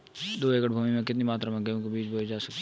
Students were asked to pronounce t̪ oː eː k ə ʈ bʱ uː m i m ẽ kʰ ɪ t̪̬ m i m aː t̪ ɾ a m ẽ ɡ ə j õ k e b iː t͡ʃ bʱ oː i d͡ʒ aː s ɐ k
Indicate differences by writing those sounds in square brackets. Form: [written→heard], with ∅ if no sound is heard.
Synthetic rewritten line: [t̪→d̪] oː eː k ə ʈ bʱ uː m i m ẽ [kʰ→k] ɪ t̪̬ [m→n] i m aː t̪ ɾ a m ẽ ɡ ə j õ k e b iː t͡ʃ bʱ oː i d͡ʒ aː s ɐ k